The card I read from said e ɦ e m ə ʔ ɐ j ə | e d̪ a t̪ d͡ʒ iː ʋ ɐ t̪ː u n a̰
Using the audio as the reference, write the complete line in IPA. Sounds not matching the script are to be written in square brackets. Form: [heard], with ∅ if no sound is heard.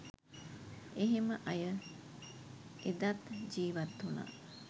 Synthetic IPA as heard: e ɦ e m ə ʔ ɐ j ə | e d̪ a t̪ d͡ʒ iː ʋ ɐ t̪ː u n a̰